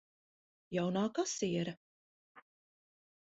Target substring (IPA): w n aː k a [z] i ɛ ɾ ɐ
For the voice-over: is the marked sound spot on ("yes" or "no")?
no